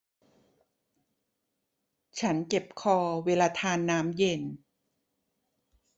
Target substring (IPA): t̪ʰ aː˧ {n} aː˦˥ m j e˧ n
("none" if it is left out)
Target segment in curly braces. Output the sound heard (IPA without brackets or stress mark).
nː